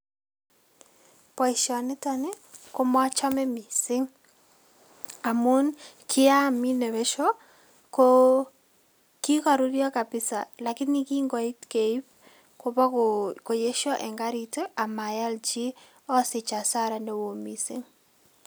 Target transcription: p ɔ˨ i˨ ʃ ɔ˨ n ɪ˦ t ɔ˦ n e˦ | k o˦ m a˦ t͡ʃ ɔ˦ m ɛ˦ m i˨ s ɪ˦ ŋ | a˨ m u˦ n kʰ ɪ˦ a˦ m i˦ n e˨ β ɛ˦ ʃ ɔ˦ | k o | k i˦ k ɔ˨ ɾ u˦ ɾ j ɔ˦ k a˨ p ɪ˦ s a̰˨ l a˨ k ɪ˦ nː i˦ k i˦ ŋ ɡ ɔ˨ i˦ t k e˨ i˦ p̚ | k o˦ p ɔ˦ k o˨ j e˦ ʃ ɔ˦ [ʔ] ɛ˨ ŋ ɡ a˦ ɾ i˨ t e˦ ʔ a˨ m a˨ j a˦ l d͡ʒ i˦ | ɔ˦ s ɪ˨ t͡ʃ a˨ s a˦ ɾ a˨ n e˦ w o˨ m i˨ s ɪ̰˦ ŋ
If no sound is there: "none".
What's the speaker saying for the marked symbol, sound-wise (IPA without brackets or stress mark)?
ʔ